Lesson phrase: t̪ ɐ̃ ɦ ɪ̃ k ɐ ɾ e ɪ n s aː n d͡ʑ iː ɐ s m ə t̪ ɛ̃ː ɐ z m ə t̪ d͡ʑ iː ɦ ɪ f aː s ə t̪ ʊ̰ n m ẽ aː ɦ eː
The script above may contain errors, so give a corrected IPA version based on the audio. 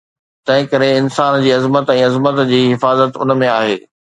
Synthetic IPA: t̪ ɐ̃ ɦ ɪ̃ k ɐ ɾ e ɪ n s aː n d͡ʑ iː ɐ z m ə t̪ ɛ̃ː ɐ z m ə t̪ d͡ʑ iː ɦ ɪ f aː z ə t̪ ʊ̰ n m ẽ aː ɦ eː